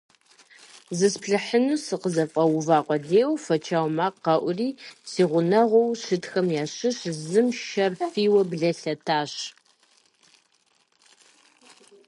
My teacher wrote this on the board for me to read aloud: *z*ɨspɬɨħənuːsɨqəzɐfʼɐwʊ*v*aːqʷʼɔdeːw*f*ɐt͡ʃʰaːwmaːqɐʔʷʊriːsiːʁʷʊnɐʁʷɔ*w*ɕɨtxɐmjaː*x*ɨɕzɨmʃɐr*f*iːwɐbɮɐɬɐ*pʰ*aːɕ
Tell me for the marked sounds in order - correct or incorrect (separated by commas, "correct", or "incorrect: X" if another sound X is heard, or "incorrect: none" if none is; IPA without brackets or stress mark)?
correct, correct, correct, correct, incorrect: ɕ, correct, incorrect: tʰ